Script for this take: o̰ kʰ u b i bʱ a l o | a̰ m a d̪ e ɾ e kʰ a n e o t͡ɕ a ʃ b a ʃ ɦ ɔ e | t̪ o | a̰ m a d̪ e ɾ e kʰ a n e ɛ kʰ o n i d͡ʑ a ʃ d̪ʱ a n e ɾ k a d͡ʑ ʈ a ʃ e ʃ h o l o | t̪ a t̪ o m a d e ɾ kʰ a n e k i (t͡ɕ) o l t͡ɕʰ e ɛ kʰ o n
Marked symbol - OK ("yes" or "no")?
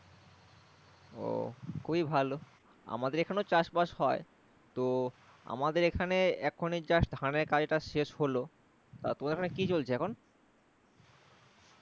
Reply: yes